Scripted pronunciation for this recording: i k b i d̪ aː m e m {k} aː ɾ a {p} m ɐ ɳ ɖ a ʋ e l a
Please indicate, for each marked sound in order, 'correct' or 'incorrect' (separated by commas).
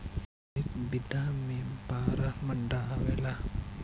incorrect, incorrect